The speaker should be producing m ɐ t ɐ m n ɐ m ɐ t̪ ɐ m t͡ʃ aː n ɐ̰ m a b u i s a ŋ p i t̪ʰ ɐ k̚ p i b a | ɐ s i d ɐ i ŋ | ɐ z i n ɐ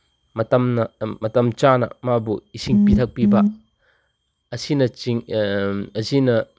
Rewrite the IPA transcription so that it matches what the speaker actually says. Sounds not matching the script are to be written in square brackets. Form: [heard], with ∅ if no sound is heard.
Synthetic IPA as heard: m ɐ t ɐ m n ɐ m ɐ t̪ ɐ m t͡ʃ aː n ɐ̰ m a b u i s [i] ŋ p i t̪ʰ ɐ k̚ p i b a | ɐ s i [n] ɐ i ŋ | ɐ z i n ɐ